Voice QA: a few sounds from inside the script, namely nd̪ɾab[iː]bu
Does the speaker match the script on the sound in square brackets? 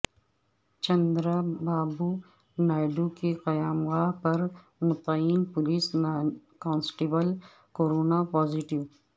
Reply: no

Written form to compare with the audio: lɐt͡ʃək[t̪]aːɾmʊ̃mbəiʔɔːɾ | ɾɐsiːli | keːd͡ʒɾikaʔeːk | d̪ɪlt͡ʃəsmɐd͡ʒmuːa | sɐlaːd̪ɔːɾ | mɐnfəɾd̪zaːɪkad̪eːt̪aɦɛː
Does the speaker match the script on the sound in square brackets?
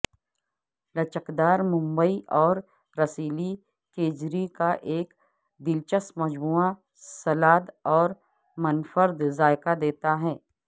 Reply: no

